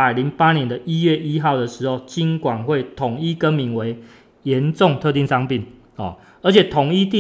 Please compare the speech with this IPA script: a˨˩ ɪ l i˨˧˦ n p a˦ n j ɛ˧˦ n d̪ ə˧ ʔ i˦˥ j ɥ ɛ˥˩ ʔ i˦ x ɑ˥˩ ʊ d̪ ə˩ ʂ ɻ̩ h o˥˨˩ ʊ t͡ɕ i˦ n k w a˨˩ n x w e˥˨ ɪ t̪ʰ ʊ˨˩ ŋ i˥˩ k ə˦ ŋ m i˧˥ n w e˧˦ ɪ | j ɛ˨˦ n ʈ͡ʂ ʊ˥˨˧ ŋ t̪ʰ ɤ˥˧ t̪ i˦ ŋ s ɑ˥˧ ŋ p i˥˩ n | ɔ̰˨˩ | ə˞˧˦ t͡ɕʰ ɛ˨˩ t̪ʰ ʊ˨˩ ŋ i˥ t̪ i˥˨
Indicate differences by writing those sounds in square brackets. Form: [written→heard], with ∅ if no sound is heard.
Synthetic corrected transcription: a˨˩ ɪ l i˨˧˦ [n→ŋ] p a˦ n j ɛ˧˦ n d̪ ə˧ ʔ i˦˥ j ɥ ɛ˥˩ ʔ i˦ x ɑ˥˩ ʊ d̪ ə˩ ʂ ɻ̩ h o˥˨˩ ʊ t͡ɕ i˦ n k w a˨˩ n x w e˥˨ ɪ t̪ʰ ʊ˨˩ ŋ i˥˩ k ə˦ [ŋ→n] m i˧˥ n w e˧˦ ɪ | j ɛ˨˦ n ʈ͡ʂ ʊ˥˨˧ ŋ t̪ʰ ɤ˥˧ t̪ [i˦→i˥˨] ŋ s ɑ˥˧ ŋ p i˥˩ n | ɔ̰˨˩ | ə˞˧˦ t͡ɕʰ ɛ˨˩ t̪ʰ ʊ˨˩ ŋ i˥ t̪ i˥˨